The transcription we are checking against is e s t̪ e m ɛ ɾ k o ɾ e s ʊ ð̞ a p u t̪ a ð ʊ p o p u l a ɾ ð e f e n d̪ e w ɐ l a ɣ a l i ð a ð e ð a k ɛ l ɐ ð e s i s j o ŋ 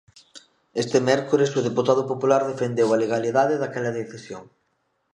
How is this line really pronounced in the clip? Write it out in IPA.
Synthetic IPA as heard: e s t̪ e m ɛ ɾ k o ɾ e s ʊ ð̞ e p u t̪ a ð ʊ p o p u l a ɾ ð e f e n d̪ e w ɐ l e ɣ a l i ð a ð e ð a k ɛ l ɐ ð e θ i s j o ŋ